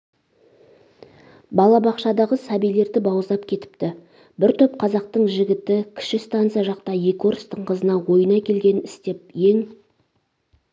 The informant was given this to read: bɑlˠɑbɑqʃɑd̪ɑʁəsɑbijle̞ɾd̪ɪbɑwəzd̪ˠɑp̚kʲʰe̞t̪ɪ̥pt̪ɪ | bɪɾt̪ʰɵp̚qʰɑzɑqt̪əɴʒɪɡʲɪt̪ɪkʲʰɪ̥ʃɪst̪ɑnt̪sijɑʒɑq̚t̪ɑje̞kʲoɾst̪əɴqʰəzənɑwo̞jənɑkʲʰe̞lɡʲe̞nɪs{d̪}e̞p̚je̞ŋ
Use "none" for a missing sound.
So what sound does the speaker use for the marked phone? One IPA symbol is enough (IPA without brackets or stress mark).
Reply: t̪